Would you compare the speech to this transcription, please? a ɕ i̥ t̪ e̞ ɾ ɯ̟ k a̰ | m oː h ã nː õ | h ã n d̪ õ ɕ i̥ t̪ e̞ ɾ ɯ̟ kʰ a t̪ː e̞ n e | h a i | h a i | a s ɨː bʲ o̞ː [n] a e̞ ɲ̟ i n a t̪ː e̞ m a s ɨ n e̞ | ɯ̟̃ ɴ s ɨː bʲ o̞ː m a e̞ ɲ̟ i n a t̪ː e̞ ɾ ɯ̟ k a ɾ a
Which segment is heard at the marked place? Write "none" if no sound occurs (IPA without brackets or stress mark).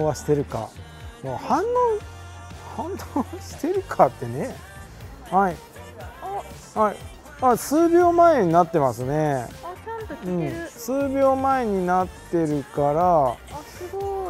m